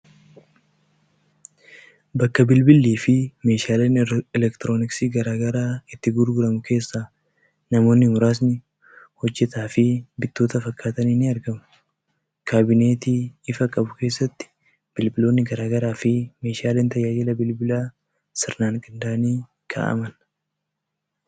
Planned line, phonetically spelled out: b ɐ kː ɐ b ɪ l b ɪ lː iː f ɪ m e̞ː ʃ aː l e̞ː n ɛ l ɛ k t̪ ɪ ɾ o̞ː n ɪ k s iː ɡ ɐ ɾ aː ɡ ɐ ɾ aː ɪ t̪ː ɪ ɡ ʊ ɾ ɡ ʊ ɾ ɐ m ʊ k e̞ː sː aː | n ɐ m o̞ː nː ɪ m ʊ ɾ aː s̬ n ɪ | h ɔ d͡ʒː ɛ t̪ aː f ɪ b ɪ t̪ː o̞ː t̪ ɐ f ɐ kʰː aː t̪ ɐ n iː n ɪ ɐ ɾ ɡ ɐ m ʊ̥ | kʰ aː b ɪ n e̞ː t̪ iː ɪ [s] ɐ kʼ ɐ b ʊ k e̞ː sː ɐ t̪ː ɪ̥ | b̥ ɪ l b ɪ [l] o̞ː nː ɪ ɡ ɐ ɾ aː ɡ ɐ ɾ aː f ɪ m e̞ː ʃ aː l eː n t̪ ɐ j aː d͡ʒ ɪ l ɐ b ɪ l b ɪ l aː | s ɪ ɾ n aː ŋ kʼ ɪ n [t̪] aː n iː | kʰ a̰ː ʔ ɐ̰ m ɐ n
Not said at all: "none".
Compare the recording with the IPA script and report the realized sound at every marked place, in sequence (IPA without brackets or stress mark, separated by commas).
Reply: f, l, d̪